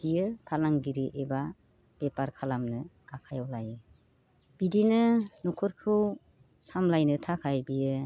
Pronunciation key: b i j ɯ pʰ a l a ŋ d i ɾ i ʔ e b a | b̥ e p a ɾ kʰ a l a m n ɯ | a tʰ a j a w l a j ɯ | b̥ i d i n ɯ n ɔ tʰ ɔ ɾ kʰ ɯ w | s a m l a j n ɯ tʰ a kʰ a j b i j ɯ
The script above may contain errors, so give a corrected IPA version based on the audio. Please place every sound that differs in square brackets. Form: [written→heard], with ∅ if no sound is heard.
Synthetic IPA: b i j ɯ pʰ a l a ŋ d i ɾ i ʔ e b a | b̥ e p a ɾ kʰ a l a m n ɯ | a [tʰ→kʰ] a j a w l a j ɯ | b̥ i d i n ɯ n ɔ [tʰ→kʰ] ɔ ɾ kʰ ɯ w | s a m l a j n ɯ tʰ a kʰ a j b i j ɯ